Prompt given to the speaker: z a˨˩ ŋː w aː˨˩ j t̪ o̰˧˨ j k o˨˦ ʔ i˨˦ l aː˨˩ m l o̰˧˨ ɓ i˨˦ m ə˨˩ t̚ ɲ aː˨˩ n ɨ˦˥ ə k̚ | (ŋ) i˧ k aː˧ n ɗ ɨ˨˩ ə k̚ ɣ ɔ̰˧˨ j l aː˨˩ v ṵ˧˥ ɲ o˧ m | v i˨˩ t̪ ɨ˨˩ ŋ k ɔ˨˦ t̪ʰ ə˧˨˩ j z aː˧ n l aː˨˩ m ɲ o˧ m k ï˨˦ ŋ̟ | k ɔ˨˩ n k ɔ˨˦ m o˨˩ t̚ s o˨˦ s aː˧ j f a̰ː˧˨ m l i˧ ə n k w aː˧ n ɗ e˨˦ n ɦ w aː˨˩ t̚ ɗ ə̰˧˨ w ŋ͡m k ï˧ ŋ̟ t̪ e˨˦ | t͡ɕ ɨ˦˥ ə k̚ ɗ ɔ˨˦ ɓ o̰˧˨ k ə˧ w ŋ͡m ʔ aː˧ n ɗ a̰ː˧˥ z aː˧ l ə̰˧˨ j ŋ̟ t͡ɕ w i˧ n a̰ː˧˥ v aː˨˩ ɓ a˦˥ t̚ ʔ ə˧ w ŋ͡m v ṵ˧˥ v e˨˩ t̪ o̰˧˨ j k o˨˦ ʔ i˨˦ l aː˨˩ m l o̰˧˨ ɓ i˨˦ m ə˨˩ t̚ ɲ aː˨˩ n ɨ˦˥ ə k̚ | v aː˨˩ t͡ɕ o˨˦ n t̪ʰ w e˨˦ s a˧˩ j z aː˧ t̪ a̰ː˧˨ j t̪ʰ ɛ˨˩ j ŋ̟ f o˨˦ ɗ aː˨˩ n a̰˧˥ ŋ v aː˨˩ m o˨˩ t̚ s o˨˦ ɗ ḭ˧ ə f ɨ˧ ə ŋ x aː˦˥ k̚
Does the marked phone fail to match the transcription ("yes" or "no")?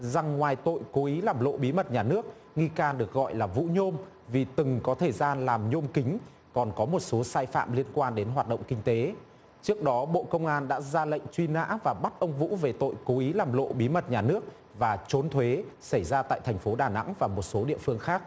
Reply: no